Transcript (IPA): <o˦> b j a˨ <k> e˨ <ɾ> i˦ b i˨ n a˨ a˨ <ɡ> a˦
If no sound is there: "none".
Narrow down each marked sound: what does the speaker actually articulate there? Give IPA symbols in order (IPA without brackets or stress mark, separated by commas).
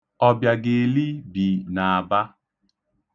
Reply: ɔ˦, ɡ, l, b